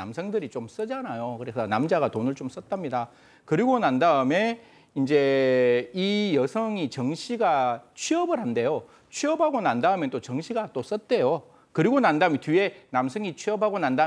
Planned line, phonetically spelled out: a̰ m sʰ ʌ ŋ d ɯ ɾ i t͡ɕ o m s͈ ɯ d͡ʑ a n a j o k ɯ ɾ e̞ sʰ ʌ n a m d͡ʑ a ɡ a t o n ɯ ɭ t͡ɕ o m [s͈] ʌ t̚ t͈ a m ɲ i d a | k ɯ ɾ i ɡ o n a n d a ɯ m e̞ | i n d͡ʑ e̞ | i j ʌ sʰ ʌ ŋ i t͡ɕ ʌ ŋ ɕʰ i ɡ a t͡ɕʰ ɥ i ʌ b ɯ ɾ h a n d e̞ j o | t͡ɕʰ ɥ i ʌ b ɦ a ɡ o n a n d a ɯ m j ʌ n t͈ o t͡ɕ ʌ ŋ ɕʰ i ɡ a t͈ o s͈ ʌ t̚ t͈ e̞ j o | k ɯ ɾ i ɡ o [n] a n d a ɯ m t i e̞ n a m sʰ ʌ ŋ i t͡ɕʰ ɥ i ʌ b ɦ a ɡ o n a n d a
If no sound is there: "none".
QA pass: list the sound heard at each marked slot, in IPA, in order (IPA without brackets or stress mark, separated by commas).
s͈, n